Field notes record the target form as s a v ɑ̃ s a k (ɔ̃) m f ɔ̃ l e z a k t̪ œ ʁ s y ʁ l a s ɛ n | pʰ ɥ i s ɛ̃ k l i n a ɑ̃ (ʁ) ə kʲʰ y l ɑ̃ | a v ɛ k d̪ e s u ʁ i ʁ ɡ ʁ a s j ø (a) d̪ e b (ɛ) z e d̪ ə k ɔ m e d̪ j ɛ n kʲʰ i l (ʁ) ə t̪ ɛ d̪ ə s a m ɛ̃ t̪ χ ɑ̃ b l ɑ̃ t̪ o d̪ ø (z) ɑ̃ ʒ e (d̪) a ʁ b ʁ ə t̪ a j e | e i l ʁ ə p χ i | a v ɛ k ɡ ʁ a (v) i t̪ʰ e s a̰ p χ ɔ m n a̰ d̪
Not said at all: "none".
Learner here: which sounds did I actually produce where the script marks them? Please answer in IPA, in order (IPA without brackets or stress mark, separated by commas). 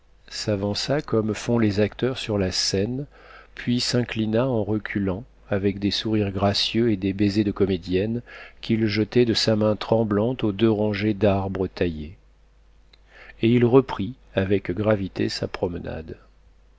ɔ, ʁ, e, e, ʒ, ʁ, d̪, v